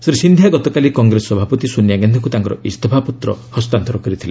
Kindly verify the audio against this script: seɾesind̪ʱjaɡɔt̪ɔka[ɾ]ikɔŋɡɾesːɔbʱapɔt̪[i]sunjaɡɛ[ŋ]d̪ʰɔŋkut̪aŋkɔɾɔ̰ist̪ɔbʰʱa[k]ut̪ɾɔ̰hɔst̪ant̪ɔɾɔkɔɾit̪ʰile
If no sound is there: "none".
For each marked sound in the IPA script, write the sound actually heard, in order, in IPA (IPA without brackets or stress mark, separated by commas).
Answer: l, i, n, p